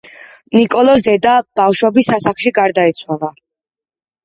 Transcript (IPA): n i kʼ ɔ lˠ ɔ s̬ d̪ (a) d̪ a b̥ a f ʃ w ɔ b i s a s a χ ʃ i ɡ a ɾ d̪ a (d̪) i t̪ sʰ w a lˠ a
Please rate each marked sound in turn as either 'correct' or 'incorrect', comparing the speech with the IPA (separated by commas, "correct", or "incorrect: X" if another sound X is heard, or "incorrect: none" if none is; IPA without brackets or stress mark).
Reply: incorrect: ɛ, incorrect: none